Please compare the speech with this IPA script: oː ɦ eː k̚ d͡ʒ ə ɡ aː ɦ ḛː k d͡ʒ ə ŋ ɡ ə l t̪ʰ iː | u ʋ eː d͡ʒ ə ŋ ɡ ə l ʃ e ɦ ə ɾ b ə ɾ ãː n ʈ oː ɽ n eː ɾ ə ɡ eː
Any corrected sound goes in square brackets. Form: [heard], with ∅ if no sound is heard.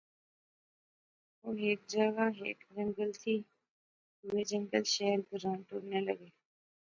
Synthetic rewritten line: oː ɦ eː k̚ d͡ʒ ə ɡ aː ɦ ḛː k d͡ʒ ə ŋ ɡ ə l t̪ʰ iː | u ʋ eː d͡ʒ ə ŋ ɡ ə l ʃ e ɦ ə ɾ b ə ɾ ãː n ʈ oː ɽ n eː [l] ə ɡ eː